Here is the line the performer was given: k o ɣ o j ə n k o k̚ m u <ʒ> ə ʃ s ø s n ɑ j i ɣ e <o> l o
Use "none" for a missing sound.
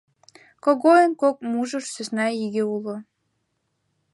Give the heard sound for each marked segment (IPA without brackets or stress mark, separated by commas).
ʒ, u